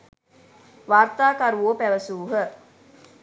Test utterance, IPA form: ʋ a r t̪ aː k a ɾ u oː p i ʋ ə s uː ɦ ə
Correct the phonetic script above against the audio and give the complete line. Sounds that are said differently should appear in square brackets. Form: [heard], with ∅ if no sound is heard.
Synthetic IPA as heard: ʋ a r t̪ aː k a ɾ u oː p [æ] ʋ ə s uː ɦ ə